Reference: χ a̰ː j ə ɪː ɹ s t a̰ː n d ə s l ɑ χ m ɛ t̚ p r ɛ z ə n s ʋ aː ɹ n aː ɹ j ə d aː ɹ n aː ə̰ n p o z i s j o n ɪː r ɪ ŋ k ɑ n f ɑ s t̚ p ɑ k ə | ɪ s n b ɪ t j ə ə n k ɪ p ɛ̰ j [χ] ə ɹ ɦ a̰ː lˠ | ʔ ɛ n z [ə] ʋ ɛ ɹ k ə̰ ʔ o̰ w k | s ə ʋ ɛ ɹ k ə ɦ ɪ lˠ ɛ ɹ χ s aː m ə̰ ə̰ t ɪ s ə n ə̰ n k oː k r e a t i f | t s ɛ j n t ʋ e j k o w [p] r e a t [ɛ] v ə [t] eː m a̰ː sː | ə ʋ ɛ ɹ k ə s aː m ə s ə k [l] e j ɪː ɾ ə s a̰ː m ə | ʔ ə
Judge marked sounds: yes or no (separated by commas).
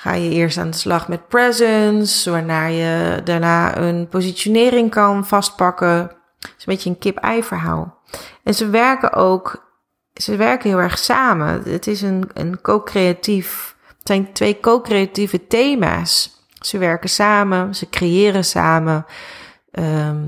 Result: no, yes, no, no, yes, no